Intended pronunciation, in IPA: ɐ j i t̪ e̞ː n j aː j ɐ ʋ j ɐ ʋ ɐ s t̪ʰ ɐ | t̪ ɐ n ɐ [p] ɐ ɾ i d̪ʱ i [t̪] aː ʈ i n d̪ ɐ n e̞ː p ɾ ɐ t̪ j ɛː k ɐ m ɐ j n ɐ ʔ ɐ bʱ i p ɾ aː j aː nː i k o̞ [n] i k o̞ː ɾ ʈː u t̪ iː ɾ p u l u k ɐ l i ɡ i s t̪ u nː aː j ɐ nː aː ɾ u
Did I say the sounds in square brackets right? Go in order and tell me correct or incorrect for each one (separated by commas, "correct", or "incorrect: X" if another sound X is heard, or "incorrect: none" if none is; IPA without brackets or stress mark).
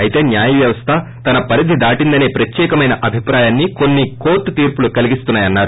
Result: correct, incorrect: d̪, incorrect: nː